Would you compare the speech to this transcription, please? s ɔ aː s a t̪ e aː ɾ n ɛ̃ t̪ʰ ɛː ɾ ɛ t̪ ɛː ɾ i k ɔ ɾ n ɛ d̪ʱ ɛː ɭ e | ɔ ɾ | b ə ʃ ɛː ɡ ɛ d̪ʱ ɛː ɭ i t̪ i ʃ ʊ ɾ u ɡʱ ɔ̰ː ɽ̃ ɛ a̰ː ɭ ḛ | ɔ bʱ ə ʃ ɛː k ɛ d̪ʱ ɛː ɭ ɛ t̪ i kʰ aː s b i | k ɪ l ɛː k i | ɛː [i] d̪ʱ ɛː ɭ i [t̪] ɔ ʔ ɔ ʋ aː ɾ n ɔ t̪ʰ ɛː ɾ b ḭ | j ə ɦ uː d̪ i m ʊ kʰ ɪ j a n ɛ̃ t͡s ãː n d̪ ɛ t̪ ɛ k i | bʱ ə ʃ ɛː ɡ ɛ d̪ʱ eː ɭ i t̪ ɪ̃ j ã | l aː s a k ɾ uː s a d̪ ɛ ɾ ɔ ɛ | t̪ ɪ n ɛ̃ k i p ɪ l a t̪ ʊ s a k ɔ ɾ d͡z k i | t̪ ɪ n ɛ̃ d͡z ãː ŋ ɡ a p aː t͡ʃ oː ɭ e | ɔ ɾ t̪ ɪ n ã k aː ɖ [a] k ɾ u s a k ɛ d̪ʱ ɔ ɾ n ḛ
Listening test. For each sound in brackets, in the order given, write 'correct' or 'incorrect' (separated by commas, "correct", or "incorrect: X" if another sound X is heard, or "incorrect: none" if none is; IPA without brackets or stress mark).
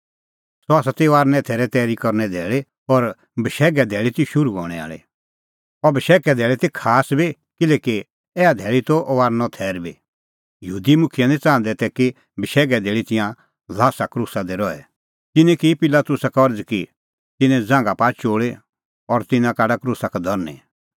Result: incorrect: a, correct, correct